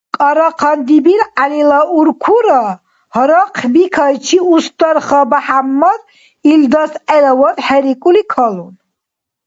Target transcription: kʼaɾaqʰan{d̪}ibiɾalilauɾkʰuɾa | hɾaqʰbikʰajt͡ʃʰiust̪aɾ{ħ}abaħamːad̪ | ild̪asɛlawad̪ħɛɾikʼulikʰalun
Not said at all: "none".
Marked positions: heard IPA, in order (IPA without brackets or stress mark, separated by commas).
d̪, χ